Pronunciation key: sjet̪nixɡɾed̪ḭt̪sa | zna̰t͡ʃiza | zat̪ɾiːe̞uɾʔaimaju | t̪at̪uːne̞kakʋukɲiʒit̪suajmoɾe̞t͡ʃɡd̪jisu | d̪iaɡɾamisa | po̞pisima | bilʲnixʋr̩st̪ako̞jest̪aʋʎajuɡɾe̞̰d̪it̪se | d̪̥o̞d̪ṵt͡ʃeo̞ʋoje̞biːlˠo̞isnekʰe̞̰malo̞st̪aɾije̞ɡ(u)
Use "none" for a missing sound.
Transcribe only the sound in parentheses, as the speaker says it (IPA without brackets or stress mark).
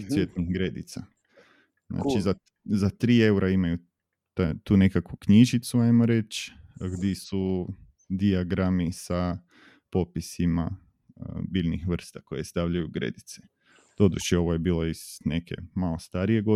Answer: o